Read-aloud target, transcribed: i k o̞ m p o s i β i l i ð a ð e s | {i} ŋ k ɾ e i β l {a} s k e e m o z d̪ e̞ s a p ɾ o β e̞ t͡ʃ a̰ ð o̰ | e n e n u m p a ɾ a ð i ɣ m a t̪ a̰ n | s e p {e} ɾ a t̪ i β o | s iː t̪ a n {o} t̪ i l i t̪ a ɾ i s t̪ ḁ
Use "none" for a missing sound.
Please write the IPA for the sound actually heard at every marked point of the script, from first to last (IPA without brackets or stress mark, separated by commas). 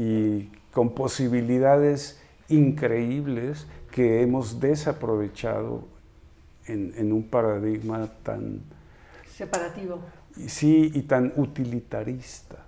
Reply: i, e, a, u